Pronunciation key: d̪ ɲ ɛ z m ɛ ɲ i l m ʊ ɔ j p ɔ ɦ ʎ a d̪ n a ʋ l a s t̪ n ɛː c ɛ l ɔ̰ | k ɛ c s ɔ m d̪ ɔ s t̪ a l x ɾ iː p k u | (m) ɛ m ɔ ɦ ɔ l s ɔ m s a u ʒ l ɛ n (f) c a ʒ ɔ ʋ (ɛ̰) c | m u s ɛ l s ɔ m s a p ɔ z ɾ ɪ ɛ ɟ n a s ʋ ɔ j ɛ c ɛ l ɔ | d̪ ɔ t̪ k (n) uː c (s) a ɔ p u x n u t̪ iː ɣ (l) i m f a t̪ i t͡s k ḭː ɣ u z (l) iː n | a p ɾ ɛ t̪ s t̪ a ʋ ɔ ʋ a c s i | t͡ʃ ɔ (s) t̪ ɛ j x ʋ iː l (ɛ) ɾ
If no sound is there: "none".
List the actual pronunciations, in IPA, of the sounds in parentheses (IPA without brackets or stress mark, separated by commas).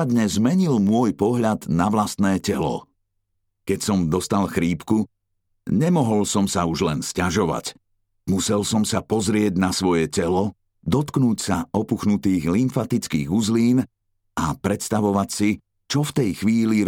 ɲ, s, a̰, n, s, l, l, f, i